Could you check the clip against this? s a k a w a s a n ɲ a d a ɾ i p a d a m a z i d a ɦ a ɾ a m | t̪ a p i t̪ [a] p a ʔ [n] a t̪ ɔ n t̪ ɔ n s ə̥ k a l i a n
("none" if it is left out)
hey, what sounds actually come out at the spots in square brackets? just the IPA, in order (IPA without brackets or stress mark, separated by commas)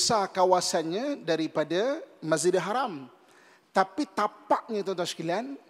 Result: a, ɲ